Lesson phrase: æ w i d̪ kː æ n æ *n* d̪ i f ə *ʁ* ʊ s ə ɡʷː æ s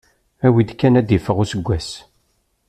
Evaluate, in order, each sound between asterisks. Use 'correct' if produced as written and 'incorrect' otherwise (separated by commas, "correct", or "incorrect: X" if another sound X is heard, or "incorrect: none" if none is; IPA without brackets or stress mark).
incorrect: none, correct